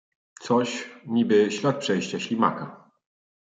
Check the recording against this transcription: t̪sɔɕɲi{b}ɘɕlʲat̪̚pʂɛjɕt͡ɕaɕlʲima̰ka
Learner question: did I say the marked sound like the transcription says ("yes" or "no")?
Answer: yes